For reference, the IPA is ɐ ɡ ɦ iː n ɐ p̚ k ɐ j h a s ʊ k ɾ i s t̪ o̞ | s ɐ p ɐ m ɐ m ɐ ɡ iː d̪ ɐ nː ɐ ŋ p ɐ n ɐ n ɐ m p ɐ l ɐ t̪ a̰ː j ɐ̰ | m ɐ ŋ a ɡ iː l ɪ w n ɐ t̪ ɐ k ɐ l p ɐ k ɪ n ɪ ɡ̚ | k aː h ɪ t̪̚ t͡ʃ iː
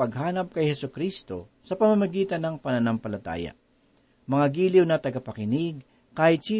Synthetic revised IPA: ɐ ɡ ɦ aː n ɐ p̚ k ɐ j h ɛ s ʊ k ɾ i s t̪ o̞ | s ɐ p ɐ m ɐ m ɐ ɡ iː t̪ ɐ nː ɐ ŋ p ɐ n ɐ n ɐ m p ɐ l ɐ t̪ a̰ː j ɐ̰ | m ɐ ŋ a ɡ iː l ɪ w n ɐ t̪ ɐ ɡ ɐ p ɐ k ɪ n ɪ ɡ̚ | k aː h ɪ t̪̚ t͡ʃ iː